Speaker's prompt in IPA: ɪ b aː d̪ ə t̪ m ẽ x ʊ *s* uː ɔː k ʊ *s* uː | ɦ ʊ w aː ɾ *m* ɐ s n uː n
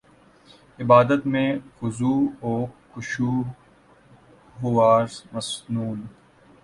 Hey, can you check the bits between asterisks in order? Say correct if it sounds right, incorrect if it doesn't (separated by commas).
incorrect, incorrect, correct